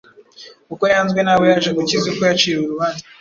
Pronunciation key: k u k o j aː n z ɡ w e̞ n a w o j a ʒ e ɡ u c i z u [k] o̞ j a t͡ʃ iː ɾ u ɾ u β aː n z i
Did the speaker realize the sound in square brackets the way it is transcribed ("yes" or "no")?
yes